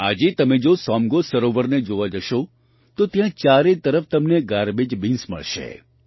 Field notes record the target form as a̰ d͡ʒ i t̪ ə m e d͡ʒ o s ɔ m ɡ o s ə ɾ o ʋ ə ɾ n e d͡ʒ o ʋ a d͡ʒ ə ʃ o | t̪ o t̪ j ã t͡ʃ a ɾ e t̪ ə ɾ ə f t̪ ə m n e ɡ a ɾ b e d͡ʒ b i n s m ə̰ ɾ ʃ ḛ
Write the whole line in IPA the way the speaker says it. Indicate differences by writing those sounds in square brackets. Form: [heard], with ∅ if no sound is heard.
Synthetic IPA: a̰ d͡ʒ [e] t̪ ə m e d͡ʒ o s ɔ m ɡ o s ə ɾ o ʋ ə ɾ n e d͡ʒ o ʋ a d͡ʒ ə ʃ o | t̪ o t̪ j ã t͡ʃ a ɾ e t̪ ə ɾ ə f t̪ ə m n e ɡ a ɾ b e d͡ʒ b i n s m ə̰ [ɭ] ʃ ḛ

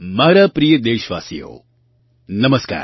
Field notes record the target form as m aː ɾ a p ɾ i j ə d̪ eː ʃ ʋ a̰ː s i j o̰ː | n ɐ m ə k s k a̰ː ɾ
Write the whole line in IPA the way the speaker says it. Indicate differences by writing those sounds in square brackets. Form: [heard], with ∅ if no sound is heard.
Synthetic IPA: m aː ɾ a p ɾ i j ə d̪ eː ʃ ʋ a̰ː s i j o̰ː | n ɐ m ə [∅] s k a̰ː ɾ

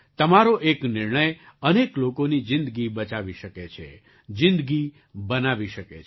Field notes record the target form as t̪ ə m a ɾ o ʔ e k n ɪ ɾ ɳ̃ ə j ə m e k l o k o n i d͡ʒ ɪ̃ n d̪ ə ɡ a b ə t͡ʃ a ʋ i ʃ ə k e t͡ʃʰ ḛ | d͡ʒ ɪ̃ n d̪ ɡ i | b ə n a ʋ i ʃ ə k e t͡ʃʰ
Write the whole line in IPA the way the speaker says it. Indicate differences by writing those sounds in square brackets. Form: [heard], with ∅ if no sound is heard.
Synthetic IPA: t̪ ə m a ɾ o ʔ e k n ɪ ɾ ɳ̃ ə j ə [n] e k l o k o n i d͡ʒ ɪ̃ n d̪ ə ɡ [i] b ə t͡ʃ a ʋ i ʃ ə k e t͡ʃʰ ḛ | d͡ʒ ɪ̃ n d̪ ɡ i | b ə n a ʋ i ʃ ə k e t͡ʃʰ

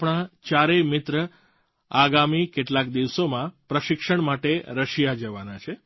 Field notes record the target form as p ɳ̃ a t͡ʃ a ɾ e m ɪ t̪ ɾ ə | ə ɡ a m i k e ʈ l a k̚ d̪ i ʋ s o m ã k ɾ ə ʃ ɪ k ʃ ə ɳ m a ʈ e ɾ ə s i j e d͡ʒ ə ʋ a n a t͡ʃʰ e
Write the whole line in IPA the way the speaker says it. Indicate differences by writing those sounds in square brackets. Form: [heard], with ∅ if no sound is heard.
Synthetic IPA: p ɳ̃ a t͡ʃ a ɾ e m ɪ t̪ ɾ ə | [a] ɡ a m i k e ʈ l a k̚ d̪ i ʋ s o m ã [p] ɾ ə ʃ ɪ k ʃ ə ɳ m a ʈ e ɾ ə [ʃ] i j [a] d͡ʒ ə ʋ a n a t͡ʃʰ e

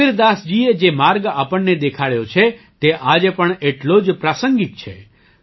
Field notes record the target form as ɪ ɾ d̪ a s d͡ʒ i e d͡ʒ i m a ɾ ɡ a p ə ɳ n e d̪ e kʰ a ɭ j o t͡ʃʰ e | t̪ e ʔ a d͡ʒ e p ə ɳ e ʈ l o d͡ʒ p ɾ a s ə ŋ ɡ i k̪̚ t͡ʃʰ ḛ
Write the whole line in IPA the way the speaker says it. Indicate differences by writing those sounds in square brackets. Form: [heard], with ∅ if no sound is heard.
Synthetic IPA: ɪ ɾ d̪ a s d͡ʒ i e d͡ʒ [e] m a ɾ ɡ a p ə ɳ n e d̪ e kʰ a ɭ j o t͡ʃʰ e | t̪ e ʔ a d͡ʒ e p ə ɳ e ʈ l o d͡ʒ p ɾ a s ə ŋ ɡ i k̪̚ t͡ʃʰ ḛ

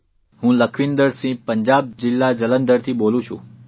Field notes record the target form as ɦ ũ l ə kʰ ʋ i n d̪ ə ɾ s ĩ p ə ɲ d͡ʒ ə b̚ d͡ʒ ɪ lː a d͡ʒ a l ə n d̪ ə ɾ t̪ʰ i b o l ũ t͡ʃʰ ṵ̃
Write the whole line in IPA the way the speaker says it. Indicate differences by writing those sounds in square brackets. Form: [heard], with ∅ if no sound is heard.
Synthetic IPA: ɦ ũ l ə kʰ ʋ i n d̪ ə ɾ s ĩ p ə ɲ d͡ʒ [a] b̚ d͡ʒ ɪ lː a d͡ʒ [ə] l ə n d̪ ə ɾ t̪ʰ i b o l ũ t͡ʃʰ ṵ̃

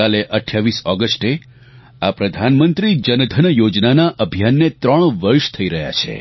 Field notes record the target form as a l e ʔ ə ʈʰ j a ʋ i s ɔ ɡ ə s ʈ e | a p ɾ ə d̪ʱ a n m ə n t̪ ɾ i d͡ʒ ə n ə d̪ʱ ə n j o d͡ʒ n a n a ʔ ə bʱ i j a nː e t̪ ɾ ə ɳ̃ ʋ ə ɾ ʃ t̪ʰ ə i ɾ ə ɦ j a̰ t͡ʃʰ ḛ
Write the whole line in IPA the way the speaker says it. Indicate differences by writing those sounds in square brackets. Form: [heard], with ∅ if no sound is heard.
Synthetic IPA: a l e ʔ ə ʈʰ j a ʋ i s ɔ ɡ ə s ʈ e | a p ɾ ə d̪ʱ a n m ə n t̪ ɾ i d͡ʒ ə n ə d̪ʱ ə n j o d͡ʒ n a n a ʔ ə bʱ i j a nː e t̪ ɾ ə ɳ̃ ʋ ə ɾ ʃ t̪ʰ ə i ɾ ə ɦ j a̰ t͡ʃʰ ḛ

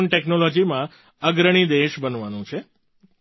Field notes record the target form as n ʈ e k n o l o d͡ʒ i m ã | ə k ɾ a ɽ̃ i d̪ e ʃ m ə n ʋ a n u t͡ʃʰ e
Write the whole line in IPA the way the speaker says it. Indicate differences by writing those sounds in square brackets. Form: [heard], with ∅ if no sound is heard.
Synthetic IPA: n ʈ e k n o l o d͡ʒ i m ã | ə [ɡ] ɾ [ə] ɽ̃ i d̪ e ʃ [b] ə n ʋ a n [ũ] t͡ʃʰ e

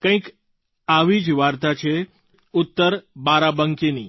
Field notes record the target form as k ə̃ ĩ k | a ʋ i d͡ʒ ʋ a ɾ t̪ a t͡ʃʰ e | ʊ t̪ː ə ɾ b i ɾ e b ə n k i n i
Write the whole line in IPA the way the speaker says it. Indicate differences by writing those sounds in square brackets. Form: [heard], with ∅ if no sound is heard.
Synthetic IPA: k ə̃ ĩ k | a ʋ i d͡ʒ ʋ a ɾ t̪ a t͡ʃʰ e | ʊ t̪ː ə ɾ b [a] ɾ [a] b ə [ŋ] k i n i

